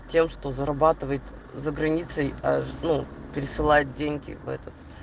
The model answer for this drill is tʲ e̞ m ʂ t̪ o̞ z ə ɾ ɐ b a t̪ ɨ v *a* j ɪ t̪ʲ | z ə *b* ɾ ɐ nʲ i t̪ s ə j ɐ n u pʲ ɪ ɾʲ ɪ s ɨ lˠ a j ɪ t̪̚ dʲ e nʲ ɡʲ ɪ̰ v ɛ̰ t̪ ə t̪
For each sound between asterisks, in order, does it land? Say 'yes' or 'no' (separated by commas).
no, no